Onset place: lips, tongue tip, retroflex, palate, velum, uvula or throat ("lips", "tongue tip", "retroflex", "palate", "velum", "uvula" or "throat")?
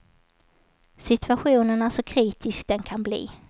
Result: tongue tip